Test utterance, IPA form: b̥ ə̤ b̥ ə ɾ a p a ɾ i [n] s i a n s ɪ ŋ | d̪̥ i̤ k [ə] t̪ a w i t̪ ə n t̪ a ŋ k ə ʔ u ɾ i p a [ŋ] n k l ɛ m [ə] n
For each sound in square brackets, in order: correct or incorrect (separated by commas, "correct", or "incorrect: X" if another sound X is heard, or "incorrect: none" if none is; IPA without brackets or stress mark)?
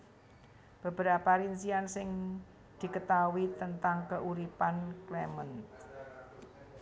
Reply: correct, correct, incorrect: none, correct